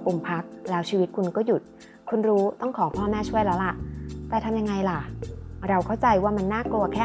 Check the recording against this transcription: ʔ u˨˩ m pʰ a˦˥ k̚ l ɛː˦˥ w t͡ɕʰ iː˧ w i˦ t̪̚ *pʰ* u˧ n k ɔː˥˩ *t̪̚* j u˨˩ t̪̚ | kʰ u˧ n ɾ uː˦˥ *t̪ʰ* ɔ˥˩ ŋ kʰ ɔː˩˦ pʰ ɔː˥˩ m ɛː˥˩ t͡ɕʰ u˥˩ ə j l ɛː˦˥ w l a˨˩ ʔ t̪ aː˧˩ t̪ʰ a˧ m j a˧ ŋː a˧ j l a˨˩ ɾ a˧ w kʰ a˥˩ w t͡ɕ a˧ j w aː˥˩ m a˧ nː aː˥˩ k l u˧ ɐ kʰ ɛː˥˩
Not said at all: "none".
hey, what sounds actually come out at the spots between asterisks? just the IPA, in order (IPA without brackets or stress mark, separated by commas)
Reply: kʰ, none, t̪